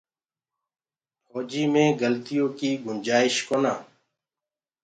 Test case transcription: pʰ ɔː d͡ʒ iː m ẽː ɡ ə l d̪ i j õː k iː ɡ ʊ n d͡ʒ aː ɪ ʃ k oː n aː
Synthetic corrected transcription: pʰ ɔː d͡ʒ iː m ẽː ɡ ə l t̪ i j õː k iː ɡ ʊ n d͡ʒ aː ɪ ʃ k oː n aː